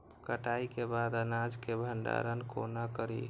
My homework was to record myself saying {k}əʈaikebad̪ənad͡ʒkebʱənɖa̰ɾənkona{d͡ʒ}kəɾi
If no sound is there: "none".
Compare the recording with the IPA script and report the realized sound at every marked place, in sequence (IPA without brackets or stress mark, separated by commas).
k, none